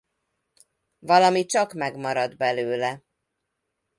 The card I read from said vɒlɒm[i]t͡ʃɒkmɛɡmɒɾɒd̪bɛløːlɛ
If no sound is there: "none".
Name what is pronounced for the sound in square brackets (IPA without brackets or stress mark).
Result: i